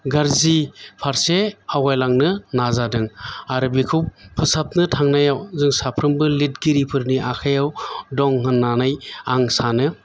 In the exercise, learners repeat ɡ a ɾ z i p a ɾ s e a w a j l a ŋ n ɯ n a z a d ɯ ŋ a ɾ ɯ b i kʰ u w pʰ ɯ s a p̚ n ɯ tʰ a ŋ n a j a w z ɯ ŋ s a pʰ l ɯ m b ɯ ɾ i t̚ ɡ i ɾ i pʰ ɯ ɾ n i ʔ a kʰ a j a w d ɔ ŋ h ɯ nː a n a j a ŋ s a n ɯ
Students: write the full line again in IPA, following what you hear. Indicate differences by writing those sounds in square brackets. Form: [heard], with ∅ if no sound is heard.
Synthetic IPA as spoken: ɡ a ɾ z i [pʰ] a ɾ s e a w a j l a ŋ n ɯ n a z a d ɯ ŋ a ɾ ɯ b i kʰ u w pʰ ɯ s a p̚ n ɯ tʰ a ŋ n a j a w z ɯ ŋ s a pʰ [ɾ] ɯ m b ɯ [l] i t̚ ɡ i ɾ i pʰ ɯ ɾ n i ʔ a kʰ a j a w d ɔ ŋ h ɯ nː a n a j a ŋ s a n ɯ